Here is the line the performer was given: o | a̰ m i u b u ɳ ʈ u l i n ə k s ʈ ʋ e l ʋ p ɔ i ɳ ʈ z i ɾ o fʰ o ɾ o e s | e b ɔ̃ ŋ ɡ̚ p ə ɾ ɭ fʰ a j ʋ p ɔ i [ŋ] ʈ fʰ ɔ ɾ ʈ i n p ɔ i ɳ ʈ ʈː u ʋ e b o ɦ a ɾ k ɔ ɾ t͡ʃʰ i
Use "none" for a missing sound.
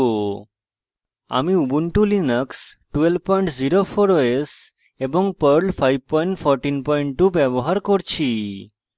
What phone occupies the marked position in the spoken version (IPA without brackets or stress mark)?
ɳ